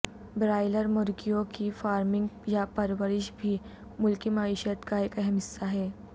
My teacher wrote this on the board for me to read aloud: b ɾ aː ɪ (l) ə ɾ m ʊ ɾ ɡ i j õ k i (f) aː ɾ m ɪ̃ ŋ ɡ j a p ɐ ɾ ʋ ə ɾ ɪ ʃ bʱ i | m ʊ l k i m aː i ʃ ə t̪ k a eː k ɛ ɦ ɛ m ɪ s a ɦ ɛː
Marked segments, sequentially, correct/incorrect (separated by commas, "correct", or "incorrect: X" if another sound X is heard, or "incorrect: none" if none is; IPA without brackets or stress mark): correct, correct